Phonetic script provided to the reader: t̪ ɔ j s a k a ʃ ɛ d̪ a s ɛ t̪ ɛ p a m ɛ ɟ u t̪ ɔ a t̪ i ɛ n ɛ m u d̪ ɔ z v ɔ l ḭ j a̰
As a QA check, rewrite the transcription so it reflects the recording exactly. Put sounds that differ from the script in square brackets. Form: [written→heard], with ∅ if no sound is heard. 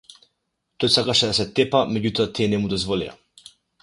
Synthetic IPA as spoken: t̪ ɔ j s a k a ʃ ɛ d̪ a s ɛ t̪ ɛ p a m ɛ ɟ u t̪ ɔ a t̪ i ɛ n ɛ m u d̪ ɔ z v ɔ l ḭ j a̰